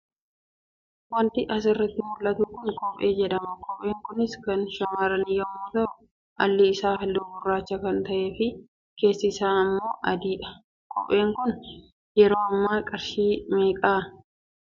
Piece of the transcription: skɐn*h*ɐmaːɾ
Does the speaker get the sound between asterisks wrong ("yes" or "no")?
yes